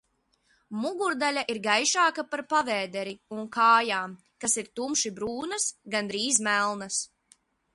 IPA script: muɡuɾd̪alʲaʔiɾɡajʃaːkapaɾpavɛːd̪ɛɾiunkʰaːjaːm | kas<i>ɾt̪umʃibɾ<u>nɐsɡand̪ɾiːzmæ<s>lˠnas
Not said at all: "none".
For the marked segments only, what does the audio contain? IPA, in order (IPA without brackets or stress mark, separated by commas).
i, uː, none